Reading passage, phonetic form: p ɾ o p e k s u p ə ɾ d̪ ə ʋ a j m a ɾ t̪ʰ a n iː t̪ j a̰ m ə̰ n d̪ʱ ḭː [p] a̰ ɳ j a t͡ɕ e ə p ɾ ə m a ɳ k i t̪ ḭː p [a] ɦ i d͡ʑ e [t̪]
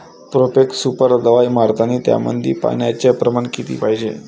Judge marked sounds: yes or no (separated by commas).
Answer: yes, yes, no